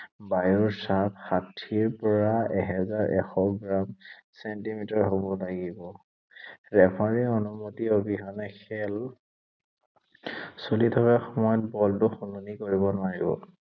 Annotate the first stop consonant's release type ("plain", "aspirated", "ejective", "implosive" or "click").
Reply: plain